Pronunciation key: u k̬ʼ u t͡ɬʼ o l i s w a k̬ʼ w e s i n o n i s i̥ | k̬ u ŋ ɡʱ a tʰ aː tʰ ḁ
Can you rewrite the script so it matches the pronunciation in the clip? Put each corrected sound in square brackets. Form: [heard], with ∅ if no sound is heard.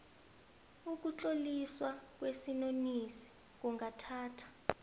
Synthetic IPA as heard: u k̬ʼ u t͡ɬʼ o l i s w a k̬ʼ w e s i n o n i s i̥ | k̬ u ŋ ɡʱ a tʰ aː tʰ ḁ